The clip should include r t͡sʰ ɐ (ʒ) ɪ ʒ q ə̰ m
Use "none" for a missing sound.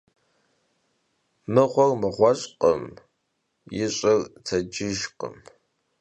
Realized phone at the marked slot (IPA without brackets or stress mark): d͡ʒ